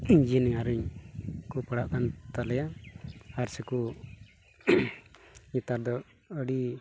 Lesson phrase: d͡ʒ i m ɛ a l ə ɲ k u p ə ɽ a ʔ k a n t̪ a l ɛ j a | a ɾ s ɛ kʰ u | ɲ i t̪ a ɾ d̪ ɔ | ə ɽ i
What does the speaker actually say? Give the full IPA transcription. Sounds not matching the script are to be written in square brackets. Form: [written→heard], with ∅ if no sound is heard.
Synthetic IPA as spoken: d͡ʒ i [m→n] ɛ a [l→ɾ] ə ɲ k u p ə ɽ a ʔ k a n t̪ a l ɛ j a | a ɾ s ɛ [kʰ→k] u | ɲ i t̪ a ɾ d̪ ɔ | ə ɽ i